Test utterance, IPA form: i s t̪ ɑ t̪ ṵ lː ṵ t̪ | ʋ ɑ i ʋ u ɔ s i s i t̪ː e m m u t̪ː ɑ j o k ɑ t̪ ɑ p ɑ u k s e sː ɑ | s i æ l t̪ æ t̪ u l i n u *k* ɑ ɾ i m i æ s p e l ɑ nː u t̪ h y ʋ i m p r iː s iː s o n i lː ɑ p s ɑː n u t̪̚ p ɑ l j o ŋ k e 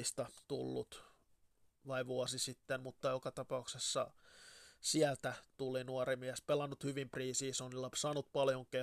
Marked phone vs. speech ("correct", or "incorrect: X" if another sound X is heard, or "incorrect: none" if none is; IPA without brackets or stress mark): incorrect: none